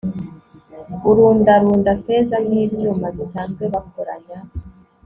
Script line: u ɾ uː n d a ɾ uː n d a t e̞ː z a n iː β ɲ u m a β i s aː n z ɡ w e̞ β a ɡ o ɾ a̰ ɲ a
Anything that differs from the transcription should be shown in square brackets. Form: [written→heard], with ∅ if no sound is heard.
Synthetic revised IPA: u ɾ uː n d a ɾ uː n d a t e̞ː z a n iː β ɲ u m a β i s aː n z ɡ w e̞ β a [ɡ→k] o ɾ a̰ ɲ a